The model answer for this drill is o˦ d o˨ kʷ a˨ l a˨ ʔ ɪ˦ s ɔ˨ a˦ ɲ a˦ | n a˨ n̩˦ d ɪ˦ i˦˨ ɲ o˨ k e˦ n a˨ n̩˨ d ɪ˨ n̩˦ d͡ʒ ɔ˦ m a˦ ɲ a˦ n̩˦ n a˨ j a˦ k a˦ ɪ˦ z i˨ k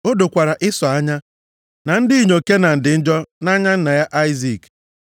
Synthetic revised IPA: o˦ d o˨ kʷ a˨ ɾ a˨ ʔ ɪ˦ s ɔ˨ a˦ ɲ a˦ | n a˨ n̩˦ d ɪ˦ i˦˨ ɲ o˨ k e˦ n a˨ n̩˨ d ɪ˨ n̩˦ d͡ʒ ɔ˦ n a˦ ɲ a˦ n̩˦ n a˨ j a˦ ʔ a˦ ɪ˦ z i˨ k